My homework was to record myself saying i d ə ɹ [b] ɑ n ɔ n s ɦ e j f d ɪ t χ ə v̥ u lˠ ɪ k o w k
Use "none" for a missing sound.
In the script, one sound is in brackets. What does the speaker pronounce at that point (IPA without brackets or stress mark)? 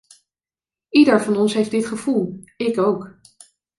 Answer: v